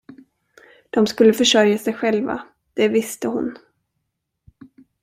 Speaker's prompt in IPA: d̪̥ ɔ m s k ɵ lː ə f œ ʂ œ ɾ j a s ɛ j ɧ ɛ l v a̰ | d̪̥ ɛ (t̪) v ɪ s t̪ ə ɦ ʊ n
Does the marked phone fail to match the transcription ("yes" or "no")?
yes